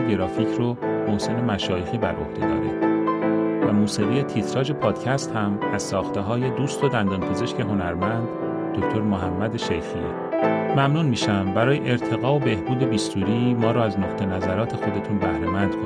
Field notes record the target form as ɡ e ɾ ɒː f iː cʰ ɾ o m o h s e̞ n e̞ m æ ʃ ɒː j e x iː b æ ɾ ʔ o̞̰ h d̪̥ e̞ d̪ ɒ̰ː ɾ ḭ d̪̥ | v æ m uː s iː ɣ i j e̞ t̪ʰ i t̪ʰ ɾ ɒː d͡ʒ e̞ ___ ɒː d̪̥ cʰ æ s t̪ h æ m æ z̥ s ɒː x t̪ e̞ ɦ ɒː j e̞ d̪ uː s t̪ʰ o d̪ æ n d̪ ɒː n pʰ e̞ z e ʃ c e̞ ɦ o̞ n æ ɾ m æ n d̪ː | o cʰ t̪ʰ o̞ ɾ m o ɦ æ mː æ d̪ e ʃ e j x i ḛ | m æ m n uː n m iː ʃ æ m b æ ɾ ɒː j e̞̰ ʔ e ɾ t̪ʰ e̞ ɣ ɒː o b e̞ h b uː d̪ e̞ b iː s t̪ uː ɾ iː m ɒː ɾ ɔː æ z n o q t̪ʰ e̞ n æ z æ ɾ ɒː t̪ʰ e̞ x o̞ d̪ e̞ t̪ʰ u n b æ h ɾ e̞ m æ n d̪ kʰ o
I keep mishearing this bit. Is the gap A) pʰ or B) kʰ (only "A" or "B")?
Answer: A